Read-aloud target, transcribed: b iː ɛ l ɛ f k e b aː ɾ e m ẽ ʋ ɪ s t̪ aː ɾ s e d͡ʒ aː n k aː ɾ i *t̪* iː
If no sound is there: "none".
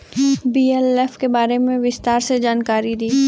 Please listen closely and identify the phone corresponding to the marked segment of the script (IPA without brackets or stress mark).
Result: d̪